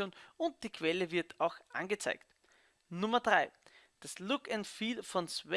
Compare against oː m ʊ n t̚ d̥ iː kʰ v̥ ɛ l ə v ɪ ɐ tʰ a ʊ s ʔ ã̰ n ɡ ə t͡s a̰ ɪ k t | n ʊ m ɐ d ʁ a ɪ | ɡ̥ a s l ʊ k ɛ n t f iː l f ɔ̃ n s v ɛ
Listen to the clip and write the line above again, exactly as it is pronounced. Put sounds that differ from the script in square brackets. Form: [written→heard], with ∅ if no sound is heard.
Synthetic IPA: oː [m→n] ʊ n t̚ d̥ iː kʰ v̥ ɛ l ə v ɪ ɐ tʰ a ʊ [s→x] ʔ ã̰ n ɡ ə t͡s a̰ ɪ k t | n ʊ m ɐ d ʁ a ɪ | [ɡ̥→d̥] a s l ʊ k ɛ n t f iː l f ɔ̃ n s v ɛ